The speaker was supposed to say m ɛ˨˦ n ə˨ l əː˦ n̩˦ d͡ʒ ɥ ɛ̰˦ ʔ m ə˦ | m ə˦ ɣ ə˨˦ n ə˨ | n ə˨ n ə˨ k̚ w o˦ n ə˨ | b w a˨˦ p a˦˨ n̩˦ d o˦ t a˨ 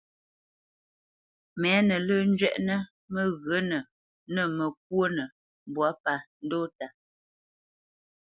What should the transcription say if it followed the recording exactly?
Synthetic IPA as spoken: m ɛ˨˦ n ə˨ l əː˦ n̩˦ d͡ʒ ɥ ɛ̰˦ ʔ n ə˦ | m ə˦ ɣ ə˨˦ n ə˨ | n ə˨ m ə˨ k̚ w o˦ n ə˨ | b w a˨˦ p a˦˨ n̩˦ d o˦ t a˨